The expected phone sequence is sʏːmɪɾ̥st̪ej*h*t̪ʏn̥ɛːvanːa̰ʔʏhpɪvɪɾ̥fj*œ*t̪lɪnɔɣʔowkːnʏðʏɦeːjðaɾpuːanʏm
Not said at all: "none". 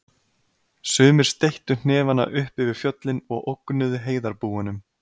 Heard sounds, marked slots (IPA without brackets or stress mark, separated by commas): h, œ